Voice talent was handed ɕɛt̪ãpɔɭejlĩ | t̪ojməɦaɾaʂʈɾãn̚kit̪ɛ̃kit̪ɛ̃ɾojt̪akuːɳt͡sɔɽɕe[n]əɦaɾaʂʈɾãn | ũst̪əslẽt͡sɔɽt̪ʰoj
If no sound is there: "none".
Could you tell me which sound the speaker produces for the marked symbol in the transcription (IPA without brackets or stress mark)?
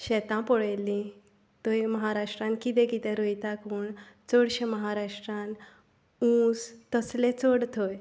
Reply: m